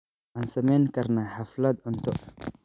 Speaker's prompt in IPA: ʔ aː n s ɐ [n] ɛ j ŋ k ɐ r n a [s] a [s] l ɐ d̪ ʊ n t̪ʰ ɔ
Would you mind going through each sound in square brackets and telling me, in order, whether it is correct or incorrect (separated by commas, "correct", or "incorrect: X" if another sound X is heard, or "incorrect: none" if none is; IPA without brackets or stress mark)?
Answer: incorrect: m, incorrect: ħ, incorrect: f